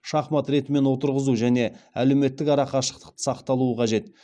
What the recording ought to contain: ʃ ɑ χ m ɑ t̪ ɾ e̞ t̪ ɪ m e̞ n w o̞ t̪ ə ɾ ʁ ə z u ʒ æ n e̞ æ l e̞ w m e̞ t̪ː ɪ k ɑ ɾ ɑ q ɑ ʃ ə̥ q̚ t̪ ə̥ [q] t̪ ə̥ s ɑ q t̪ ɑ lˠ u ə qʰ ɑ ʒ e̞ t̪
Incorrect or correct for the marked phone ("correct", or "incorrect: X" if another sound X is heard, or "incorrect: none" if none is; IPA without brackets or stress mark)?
correct